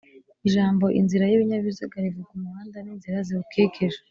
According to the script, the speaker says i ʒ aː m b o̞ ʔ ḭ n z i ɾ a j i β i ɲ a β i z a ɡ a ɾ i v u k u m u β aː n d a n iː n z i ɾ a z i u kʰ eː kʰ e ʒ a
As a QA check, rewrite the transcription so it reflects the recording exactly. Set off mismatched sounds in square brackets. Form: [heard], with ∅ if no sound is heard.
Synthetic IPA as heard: i ʒ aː m b o̞ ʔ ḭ n z i ɾ a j i β i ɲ a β i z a ɡ a ɾ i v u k u m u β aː n d a n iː n z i ɾ a z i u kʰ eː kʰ e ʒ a